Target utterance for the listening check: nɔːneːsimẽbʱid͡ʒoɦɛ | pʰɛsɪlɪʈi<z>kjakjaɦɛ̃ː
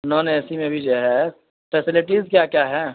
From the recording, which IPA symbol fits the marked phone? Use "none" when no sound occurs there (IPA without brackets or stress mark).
z